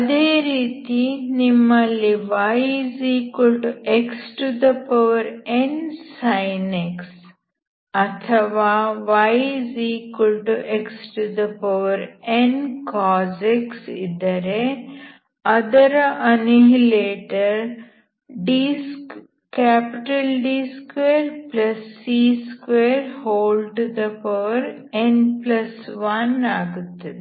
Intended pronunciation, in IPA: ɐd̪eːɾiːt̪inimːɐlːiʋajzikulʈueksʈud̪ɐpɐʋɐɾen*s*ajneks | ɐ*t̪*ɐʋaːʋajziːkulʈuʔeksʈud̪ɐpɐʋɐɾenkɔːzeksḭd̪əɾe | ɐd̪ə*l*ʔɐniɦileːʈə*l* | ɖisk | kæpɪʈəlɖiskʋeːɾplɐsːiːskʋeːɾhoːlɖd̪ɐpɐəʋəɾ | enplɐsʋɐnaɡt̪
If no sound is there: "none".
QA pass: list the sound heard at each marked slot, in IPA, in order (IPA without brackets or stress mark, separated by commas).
s, t̪ʰ, ɾ, ɾ